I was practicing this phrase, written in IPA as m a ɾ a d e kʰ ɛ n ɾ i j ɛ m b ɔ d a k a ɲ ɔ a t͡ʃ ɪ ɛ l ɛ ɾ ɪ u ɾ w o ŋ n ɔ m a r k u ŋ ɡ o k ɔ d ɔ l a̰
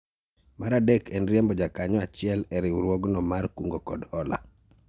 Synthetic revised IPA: m a ɾ a d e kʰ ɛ n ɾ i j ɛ m b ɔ d͡ʒ a k a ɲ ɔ a t͡ʃ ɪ ɛ l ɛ ɾ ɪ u ɾ w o ɡ n ɔ m a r k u ŋ ɡ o k ɔ d ɔ l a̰